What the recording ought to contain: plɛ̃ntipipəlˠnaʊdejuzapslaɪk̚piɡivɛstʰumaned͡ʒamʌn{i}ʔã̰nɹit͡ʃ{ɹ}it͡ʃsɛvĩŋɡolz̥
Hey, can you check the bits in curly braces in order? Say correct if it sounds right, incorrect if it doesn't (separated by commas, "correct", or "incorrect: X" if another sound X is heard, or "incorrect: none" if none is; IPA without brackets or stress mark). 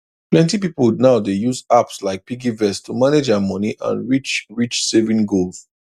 correct, correct